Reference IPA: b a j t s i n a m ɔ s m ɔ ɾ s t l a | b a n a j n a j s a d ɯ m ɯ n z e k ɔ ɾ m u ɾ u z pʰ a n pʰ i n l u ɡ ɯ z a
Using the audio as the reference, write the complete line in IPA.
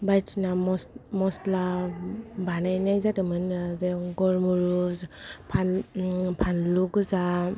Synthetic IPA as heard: b a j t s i n a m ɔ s m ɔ s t l a | b a n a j n a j z a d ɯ m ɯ n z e ɡ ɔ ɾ m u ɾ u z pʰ a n pʰ a n l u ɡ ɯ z a